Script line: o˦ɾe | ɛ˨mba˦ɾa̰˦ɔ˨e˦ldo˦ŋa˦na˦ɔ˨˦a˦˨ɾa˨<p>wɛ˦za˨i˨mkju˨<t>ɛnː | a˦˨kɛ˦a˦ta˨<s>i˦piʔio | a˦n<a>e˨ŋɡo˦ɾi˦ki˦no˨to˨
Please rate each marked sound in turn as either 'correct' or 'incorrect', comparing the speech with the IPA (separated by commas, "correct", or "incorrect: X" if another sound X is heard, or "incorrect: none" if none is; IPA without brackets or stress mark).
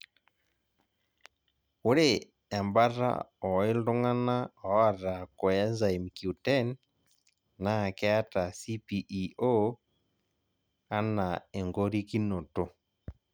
incorrect: k, correct, correct, correct